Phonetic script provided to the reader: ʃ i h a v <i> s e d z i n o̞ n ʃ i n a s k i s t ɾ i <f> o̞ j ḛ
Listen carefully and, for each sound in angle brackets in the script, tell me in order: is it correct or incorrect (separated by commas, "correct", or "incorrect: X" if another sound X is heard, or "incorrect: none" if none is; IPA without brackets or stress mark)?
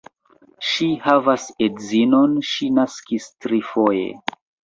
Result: incorrect: a, correct